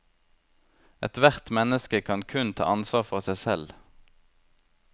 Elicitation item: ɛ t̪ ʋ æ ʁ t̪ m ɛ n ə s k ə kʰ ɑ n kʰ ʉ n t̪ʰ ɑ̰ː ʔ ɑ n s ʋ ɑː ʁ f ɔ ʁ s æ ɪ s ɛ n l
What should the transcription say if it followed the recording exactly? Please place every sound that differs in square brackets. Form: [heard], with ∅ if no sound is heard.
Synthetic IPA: ɛ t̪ ʋ æ ʁ t̪ m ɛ n ə s k ə kʰ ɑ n kʰ ʉ n t̪ʰ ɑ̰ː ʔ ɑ n s ʋ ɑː ʁ f ɔ ʁ s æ ɪ s ɛ [∅] l